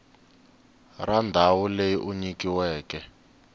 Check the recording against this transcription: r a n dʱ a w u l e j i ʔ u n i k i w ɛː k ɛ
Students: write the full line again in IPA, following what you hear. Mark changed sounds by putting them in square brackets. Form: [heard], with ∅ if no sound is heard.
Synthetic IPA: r a n dʱ a w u l e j i ʔ u [ɲ] i k i w ɛː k ɛ